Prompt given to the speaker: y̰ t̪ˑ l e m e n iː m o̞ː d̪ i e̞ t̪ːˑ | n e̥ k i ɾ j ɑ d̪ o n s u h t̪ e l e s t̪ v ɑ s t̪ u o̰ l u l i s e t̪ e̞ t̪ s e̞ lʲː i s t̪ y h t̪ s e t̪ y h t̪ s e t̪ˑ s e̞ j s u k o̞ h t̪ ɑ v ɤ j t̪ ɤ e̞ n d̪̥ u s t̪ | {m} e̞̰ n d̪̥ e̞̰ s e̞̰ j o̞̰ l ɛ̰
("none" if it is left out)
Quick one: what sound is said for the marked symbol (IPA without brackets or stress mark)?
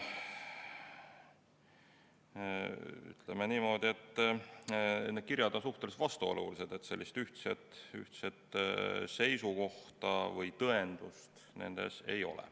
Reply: n